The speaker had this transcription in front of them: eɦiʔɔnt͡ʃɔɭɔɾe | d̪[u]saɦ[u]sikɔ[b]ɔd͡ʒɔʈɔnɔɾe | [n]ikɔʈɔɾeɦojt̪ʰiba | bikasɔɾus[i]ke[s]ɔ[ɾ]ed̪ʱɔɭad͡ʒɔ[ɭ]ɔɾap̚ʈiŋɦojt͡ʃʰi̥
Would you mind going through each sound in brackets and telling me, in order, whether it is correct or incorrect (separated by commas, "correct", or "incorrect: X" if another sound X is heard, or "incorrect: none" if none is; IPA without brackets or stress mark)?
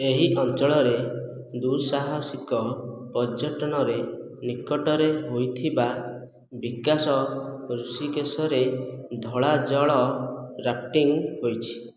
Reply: correct, incorrect: ɔ, incorrect: p, correct, correct, correct, correct, correct